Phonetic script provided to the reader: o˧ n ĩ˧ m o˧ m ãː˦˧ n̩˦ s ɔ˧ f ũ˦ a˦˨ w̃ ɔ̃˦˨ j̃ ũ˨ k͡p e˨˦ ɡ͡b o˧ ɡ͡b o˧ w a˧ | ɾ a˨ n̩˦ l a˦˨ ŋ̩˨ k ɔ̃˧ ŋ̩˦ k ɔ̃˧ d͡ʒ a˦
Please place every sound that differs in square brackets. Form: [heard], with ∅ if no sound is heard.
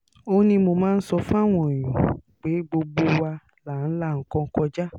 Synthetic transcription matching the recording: o˧ n ĩ˧ m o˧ m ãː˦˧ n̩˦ s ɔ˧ f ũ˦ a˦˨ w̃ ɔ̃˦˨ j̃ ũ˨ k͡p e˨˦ ɡ͡b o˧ ɡ͡b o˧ w a˧ | [l] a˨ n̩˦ l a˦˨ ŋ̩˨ k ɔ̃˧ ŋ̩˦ k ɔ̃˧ d͡ʒ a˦